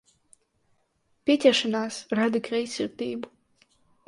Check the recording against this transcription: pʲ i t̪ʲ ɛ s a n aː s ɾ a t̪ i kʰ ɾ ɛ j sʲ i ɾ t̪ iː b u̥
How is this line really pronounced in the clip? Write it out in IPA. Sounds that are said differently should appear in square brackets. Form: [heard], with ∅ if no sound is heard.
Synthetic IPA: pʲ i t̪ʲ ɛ [ʃ] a n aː s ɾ a [d̪] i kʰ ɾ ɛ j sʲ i ɾ t̪ iː b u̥